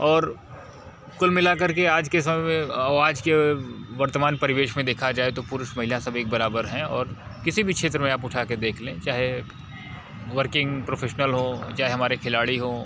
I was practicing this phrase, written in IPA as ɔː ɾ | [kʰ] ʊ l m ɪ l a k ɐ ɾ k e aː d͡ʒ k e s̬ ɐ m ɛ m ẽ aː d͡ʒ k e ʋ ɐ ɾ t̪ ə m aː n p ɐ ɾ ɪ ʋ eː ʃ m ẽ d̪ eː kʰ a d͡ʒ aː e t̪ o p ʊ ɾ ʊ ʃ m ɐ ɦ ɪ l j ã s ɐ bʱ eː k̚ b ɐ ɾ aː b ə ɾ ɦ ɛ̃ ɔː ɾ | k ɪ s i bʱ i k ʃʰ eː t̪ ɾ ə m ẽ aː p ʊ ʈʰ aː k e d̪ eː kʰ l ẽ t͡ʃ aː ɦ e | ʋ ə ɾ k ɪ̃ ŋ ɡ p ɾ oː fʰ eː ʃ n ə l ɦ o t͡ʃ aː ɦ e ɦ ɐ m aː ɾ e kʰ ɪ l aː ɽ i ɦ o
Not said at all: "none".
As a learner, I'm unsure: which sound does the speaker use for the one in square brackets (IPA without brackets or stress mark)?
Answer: k